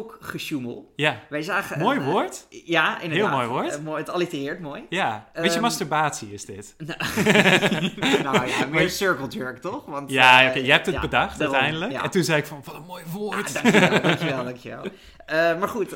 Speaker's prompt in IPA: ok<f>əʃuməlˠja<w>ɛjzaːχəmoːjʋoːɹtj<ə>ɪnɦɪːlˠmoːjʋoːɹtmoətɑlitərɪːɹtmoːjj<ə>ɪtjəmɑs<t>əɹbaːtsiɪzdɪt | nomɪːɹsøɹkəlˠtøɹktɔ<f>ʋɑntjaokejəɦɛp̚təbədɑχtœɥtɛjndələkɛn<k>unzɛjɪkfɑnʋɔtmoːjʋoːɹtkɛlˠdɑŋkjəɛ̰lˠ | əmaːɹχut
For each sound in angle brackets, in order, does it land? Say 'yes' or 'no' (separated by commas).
no, no, no, no, yes, no, no